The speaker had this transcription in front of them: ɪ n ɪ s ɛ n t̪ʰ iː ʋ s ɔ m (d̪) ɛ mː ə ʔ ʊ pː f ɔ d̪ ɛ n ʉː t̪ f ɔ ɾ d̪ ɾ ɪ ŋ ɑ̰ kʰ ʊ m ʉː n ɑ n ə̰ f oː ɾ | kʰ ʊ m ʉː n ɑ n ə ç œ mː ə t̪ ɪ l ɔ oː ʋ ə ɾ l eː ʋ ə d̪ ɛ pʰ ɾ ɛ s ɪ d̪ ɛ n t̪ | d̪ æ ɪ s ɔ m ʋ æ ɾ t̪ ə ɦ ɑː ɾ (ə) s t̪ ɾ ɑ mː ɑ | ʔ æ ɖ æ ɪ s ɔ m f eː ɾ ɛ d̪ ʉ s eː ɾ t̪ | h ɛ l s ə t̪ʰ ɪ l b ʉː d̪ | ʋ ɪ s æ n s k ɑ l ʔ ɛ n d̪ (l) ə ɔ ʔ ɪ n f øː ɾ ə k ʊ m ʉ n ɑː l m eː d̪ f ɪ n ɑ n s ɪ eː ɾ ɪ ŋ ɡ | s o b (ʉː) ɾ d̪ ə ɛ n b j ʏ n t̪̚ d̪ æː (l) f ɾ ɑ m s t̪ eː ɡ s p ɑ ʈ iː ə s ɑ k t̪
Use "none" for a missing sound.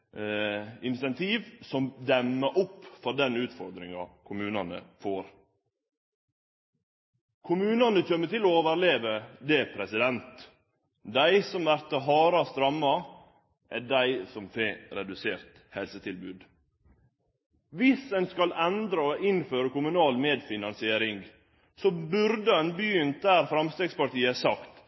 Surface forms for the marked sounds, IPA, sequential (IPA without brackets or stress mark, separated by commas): d̪, ɑ, ɾ, ʉ, ɾ